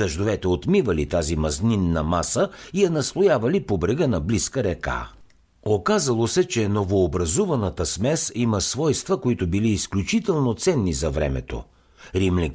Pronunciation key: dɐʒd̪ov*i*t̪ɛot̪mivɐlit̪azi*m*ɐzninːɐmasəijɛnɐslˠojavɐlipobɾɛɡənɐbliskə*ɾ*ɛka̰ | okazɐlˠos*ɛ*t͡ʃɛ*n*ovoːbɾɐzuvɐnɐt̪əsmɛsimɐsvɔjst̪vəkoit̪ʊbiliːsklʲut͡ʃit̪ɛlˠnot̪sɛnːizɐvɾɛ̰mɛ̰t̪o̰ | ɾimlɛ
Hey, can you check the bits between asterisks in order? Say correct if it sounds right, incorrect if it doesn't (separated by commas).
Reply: incorrect, correct, correct, correct, correct